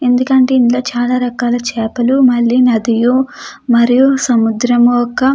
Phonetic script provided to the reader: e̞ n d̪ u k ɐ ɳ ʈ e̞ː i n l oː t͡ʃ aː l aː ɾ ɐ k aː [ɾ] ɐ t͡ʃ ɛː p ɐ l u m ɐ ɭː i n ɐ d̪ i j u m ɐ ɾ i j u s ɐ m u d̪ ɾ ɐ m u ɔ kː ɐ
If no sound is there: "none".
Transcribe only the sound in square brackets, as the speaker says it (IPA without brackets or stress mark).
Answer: l